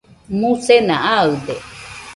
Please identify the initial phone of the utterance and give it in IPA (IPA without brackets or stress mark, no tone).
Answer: m